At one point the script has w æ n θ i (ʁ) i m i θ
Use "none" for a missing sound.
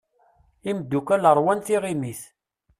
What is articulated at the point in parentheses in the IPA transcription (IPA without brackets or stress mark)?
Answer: ʁ